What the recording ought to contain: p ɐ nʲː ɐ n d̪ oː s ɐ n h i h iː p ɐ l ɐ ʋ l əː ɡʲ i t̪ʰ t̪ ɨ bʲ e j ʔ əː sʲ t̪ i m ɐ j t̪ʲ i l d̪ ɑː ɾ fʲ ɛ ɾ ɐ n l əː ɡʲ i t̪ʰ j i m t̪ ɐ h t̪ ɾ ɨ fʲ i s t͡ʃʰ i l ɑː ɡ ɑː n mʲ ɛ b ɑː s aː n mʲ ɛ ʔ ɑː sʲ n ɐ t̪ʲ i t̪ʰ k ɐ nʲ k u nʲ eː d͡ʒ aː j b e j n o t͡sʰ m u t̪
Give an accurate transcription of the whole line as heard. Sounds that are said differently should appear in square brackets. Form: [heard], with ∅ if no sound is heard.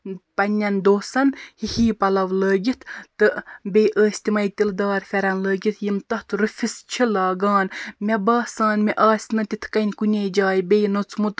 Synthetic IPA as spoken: p ɐ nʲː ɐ n d̪ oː s ɐ n h i h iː p ɐ l ɐ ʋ l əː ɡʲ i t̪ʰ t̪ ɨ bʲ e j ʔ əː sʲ t̪ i m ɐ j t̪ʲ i l d̪ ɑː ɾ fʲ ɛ ɾ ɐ n l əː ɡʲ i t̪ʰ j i m t̪ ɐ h t̪ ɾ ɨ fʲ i s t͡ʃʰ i l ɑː ɡ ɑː n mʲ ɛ b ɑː s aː n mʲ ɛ ʔ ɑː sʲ n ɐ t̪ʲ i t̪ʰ k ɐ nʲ k u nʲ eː d͡ʒ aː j b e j n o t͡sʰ m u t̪